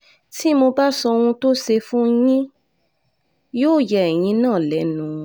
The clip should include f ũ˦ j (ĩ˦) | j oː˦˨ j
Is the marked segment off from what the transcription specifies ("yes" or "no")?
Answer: no